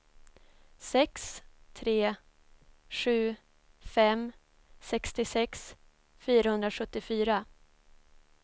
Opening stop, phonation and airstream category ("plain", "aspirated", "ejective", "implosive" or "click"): plain